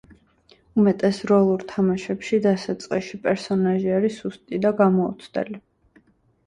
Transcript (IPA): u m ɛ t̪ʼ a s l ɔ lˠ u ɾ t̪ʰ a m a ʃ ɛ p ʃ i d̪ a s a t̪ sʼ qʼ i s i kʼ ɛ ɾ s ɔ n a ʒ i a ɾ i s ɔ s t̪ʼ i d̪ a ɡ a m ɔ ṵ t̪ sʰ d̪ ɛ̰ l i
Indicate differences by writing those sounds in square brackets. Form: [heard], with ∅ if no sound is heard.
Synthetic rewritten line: u m ɛ t̪ʼ [ɛ] s [ɾ] ɔ lˠ u ɾ t̪ʰ a m a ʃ ɛ p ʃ i d̪ a s a t̪ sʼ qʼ i [ʃ] i [pʼ] ɛ ɾ s ɔ n a ʒ i a ɾ i s [u] s t̪ʼ i d̪ a ɡ a m ɔ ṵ t̪ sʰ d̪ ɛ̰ l i